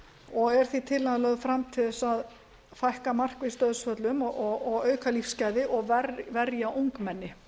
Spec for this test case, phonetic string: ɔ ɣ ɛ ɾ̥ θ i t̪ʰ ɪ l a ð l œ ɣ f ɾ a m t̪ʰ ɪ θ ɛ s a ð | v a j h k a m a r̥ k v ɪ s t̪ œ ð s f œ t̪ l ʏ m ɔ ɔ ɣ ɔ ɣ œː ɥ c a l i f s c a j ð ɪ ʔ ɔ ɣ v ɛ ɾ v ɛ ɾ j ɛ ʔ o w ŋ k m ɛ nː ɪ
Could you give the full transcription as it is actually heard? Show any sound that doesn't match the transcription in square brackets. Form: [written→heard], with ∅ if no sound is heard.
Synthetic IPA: ɔ ɣ ɛ ɾ̥ θ i t̪ʰ ɪ l a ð l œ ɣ f ɾ a m t̪ʰ ɪ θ ɛ s a ð | [v→f] a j h k a m a r̥ k v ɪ s t̪ œ ð s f œ t̪ l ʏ m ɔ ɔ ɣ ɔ ɣ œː ɥ [c→k] a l i f s c a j ð ɪ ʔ ɔ ɣ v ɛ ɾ v ɛ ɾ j [ɛ→a] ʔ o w ŋ k m ɛ nː ɪ